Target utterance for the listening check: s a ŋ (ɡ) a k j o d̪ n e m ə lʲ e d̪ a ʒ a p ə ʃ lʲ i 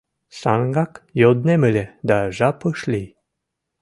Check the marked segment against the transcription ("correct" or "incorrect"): correct